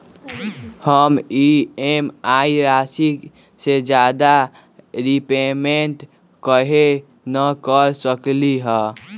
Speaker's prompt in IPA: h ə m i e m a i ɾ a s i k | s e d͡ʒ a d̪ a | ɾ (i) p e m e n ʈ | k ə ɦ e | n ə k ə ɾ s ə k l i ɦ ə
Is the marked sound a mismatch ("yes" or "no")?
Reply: no